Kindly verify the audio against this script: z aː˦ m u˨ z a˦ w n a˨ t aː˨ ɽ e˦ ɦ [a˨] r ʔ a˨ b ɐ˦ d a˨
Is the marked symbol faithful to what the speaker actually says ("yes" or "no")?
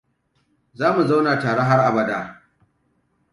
no